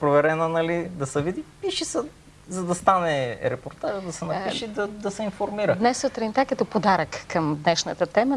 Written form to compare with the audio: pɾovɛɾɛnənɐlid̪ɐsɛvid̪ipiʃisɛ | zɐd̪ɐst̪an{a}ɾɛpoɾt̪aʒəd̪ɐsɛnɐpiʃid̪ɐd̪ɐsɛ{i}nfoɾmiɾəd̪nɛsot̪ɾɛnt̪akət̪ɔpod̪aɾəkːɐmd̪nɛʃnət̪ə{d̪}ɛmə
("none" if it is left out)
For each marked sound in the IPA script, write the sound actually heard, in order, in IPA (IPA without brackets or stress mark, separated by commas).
ɛ, i, t̪